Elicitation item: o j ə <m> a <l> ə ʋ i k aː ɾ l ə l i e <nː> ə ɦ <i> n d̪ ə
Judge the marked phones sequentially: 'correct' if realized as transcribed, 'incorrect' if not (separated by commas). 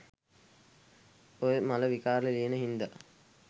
correct, correct, incorrect, correct